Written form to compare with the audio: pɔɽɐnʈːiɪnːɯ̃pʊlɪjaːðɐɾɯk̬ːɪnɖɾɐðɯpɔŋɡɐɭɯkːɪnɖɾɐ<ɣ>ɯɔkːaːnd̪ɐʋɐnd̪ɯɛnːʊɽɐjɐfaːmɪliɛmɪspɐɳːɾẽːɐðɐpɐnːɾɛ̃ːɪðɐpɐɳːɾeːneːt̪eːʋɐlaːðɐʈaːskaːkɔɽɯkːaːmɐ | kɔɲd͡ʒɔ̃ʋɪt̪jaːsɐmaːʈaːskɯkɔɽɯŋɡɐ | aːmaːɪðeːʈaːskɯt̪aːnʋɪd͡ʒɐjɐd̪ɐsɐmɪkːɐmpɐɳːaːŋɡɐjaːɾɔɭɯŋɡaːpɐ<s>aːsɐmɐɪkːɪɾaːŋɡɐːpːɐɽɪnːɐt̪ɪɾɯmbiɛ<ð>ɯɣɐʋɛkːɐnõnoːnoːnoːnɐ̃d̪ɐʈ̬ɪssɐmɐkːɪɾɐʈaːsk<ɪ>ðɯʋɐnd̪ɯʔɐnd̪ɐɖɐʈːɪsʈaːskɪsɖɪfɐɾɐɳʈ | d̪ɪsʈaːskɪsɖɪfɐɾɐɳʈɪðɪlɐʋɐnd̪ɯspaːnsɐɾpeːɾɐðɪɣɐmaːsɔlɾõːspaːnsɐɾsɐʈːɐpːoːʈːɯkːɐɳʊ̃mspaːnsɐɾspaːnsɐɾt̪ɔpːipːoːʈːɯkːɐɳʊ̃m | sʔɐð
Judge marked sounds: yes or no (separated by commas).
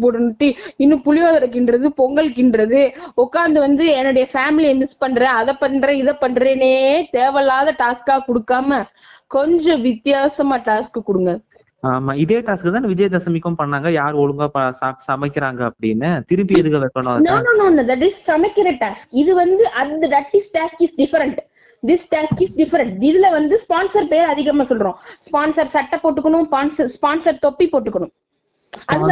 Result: no, yes, yes, yes